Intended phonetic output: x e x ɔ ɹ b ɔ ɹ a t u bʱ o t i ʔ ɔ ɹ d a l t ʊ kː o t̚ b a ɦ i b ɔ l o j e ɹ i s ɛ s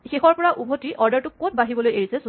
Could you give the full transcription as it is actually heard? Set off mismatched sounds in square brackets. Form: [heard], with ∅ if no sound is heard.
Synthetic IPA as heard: x e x ɔ ɹ [p] ɔ ɹ a [ʔ] u bʱ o t i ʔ ɔ ɹ d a [ɹ] t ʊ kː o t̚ b a ɦ i b ɔ l o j e ɹ i s ɛ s